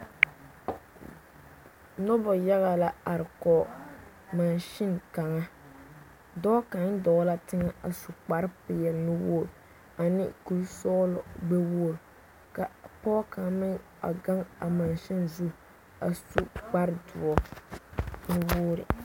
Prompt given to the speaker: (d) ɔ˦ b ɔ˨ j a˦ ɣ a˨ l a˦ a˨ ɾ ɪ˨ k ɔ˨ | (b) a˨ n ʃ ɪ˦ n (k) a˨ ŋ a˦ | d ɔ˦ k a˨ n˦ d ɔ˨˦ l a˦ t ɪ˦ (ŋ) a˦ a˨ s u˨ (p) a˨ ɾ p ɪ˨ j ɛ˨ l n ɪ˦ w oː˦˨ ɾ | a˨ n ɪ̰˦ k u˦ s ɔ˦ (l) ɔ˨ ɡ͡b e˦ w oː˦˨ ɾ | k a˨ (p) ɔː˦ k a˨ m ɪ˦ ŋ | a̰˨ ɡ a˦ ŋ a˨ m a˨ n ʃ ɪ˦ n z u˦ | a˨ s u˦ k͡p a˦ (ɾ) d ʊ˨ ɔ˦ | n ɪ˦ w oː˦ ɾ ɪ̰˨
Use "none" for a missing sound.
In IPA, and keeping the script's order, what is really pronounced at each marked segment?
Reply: n, m, k, ŋ, k͡p, l, p, ɾ

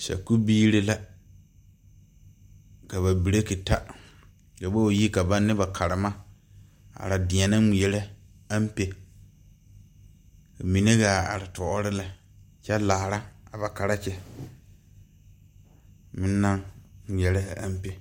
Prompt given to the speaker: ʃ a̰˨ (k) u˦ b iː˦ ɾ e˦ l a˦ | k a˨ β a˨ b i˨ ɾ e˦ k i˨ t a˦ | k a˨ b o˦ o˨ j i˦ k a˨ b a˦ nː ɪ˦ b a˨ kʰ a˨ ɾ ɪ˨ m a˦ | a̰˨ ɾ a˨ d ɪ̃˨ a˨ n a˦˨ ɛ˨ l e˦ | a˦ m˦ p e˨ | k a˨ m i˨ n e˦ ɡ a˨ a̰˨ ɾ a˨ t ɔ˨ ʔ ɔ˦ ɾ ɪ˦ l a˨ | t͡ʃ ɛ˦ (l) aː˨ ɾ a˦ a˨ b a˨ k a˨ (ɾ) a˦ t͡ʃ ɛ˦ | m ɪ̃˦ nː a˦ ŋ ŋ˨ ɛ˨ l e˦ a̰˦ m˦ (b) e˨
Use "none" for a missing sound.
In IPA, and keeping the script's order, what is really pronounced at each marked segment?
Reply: k, l, ɾ, p

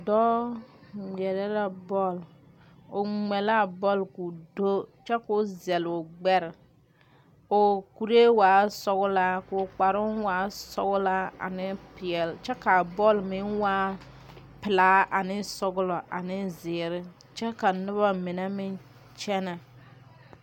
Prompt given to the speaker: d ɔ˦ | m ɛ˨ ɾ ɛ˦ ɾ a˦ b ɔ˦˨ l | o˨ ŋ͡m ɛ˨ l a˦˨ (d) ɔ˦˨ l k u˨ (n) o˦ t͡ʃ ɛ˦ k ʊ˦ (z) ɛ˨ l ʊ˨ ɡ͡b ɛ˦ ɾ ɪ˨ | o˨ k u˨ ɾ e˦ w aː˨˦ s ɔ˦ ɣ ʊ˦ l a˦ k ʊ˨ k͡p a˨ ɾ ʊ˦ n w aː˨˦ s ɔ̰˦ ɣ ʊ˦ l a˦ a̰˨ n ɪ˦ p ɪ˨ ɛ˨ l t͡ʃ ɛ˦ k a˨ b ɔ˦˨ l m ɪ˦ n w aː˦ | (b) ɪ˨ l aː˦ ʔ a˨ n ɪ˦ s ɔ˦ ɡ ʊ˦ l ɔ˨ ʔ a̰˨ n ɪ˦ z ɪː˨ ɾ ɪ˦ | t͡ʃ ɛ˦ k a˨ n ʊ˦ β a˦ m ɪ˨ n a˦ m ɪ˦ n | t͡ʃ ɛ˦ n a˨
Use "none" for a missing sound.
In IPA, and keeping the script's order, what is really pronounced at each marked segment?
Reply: b, d, z, p

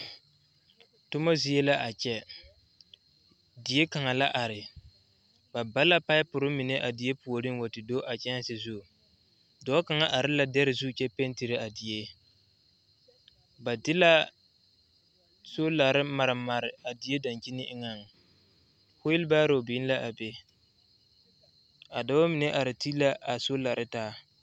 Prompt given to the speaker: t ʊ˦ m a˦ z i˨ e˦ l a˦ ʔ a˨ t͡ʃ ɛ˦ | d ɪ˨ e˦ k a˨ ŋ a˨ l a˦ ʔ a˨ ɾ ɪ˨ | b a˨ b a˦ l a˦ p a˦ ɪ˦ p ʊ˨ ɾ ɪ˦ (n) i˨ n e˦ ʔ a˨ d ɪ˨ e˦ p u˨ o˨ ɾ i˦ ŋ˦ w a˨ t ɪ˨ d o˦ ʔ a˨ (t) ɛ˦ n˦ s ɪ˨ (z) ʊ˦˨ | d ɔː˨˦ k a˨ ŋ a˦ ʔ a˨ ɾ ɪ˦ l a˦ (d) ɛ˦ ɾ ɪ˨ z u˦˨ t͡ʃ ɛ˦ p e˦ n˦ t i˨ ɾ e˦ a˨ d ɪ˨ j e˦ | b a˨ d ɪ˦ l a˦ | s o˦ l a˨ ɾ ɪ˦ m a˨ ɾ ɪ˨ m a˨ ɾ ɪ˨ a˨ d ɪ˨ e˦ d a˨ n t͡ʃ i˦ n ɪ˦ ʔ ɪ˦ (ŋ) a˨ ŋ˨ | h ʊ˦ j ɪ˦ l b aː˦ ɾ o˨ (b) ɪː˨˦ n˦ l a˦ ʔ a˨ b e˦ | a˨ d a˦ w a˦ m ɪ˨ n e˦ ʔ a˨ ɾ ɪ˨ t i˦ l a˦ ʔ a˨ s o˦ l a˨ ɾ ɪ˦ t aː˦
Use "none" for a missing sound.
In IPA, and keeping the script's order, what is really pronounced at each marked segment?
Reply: m, t͡ʃ, z, d, ŋ, b

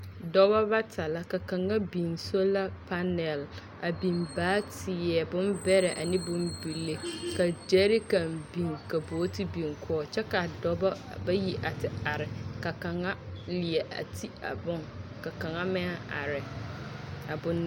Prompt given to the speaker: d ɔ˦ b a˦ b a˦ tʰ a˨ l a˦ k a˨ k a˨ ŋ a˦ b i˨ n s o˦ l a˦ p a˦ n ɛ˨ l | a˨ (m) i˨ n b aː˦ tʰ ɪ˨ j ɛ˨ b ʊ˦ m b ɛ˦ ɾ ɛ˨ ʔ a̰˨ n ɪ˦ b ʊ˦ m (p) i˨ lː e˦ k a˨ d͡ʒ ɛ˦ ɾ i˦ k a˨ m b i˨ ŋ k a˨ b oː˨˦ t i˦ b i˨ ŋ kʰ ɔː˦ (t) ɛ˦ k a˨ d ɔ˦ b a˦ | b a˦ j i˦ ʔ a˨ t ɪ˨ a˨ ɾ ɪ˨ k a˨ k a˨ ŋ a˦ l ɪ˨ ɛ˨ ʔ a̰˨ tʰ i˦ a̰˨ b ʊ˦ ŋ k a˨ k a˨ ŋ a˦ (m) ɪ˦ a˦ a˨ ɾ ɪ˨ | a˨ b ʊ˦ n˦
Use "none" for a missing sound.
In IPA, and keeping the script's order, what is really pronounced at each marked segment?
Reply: b, b, t͡ʃ, m

